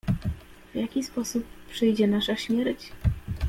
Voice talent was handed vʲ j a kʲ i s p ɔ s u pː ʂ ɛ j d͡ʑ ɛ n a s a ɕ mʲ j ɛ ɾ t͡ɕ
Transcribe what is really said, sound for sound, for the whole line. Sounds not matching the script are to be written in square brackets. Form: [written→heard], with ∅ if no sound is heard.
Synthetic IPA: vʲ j a kʲ i s p ɔ s u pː ʂ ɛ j d͡ʑ ɛ n a [s→ʂ] a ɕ mʲ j ɛ ɾ t͡ɕ